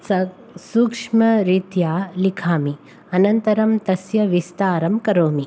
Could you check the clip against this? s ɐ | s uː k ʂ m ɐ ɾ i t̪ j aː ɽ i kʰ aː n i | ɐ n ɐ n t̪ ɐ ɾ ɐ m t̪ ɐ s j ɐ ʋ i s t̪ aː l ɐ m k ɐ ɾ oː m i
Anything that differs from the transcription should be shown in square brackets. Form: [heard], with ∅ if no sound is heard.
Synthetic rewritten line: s ɐ | s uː k ʂ m ɐ ɾ i t̪ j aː [l] i kʰ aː [m] i | ɐ n ɐ n t̪ ɐ ɾ ɐ m t̪ ɐ s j ɐ ʋ i s t̪ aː [ɾ] ɐ m k ɐ ɾ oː m i